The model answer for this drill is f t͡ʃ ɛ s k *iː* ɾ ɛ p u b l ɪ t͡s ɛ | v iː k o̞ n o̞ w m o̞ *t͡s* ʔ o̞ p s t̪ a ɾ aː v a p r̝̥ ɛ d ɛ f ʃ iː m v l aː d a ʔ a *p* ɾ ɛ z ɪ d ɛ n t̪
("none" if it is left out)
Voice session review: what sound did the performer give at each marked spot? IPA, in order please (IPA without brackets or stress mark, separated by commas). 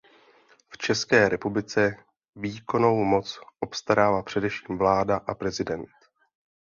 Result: ɛː, t͡s, p